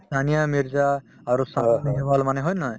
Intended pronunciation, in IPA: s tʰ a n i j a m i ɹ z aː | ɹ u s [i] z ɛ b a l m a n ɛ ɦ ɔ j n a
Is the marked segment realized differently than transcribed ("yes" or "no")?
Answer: yes